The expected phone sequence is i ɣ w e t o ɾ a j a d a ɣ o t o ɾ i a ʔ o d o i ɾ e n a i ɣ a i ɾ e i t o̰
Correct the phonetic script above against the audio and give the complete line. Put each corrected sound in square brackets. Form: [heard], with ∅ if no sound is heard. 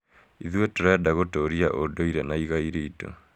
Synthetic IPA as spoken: i [ð] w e t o ɾ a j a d a ɣ o t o ɾ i a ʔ o d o i ɾ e n a i ɣ a i ɾ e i t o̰